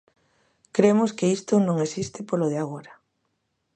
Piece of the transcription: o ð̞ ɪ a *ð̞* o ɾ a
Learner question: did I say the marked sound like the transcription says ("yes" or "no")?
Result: no